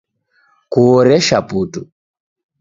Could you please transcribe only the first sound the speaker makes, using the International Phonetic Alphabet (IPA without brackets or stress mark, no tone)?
k